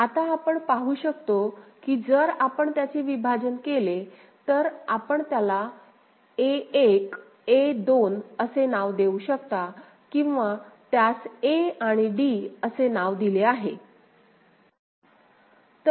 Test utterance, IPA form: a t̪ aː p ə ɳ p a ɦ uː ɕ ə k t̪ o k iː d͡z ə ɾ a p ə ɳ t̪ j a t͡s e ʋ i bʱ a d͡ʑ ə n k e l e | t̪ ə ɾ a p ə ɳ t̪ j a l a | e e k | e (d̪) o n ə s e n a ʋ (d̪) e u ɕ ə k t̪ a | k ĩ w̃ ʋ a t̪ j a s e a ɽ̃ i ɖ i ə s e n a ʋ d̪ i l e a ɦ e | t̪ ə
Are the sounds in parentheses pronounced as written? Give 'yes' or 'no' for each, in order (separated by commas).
yes, yes